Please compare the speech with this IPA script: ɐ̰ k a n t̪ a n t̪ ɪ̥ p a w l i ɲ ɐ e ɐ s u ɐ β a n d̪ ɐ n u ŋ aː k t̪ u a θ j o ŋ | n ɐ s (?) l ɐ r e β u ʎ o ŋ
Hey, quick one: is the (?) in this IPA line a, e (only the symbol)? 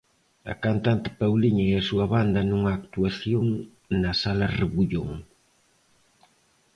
a